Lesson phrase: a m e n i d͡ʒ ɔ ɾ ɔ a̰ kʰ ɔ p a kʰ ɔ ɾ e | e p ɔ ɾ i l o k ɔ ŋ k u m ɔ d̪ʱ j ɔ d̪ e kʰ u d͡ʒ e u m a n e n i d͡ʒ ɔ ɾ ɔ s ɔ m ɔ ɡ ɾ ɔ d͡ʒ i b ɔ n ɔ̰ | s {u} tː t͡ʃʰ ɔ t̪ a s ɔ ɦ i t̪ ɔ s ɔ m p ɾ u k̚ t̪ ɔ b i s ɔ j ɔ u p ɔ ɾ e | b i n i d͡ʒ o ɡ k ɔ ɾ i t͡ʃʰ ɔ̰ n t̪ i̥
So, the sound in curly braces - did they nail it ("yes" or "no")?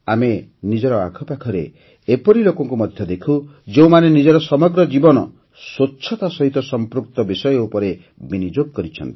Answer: no